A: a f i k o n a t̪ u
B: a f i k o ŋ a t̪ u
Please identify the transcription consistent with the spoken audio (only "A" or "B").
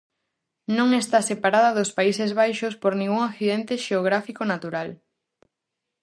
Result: A